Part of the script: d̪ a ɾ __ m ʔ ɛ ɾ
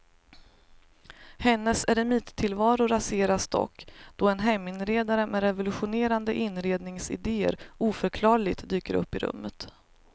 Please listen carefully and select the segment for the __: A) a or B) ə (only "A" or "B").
B